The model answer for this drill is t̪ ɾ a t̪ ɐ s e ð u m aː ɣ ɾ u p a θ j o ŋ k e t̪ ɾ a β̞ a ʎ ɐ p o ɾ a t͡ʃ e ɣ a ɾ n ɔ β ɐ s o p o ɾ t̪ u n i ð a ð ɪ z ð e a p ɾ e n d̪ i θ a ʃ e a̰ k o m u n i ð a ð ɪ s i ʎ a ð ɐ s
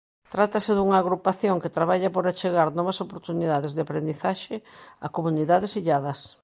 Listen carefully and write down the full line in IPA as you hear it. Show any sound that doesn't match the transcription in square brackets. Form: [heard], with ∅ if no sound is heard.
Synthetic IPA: t̪ ɾ a t̪ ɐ s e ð u [ŋ] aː ɣ ɾ u p a θ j o ŋ k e t̪ ɾ a β̞ a ʎ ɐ p o ɾ a t͡ʃ e ɣ a ɾ n ɔ β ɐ s o p o ɾ t̪ u n i ð a ð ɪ z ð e a p ɾ e n d̪ i θ a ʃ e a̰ k o m u n i ð a ð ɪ s i ʎ a ð ɐ s